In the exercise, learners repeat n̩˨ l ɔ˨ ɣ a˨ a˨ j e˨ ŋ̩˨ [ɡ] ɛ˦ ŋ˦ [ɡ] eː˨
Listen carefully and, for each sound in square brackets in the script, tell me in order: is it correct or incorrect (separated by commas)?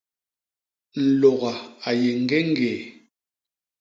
correct, correct